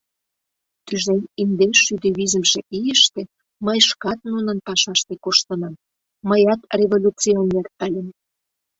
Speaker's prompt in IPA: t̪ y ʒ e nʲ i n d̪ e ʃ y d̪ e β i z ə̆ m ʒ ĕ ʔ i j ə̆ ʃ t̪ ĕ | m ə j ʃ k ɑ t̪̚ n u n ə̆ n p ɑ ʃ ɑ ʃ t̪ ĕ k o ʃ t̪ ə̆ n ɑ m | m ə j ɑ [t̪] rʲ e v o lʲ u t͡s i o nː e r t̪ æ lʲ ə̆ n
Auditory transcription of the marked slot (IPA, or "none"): t̪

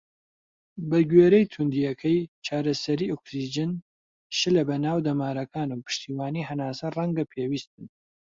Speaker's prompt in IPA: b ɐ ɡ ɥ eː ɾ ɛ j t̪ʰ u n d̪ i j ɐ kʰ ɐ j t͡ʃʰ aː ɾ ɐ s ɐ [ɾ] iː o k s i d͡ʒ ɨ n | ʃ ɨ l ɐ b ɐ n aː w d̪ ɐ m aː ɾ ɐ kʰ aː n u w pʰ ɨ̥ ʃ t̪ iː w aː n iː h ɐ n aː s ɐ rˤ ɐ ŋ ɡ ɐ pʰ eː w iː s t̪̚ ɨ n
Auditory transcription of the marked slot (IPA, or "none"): ɾ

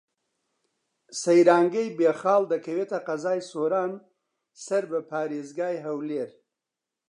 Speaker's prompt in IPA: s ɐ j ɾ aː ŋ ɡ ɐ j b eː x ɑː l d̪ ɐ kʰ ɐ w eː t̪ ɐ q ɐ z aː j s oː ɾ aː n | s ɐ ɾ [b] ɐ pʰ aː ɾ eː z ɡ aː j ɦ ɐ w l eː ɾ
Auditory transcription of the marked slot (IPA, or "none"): b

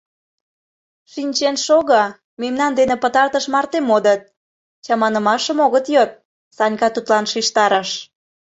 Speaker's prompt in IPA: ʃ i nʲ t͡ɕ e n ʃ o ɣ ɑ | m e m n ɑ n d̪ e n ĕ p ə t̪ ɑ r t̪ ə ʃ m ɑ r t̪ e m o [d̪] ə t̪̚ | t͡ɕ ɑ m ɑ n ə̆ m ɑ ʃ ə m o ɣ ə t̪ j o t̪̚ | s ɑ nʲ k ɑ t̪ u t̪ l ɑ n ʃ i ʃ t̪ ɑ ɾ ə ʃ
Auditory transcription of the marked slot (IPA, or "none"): d̪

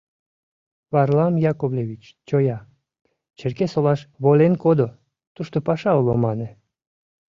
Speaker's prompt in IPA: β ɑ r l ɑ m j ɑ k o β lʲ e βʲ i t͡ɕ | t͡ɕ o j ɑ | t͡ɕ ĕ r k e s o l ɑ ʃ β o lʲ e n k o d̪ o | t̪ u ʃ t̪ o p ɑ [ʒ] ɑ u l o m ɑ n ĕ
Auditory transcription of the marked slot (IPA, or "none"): ʃ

